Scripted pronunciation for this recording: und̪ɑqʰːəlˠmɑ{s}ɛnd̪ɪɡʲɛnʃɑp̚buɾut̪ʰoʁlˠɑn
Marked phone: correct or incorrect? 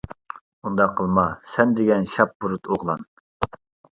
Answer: correct